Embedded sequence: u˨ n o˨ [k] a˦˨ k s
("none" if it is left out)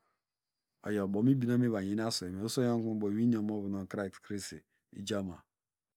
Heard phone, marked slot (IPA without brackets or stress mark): k